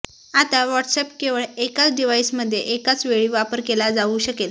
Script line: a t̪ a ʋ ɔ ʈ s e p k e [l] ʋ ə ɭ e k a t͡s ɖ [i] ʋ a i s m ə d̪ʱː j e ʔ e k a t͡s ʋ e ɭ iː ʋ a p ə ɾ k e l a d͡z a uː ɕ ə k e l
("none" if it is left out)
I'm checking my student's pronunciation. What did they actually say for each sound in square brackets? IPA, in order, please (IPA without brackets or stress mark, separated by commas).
none, i